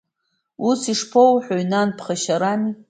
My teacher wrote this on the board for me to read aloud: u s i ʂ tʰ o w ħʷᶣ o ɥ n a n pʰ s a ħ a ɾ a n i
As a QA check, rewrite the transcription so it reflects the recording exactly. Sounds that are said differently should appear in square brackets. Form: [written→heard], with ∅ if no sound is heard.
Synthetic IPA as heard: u s i ʂ [tʰ→pʰ] o w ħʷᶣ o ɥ n a n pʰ [s→χ] a [ħ→ʃ] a ɾ a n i